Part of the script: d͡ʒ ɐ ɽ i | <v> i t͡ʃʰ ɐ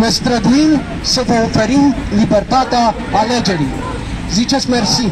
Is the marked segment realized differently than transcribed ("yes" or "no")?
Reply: yes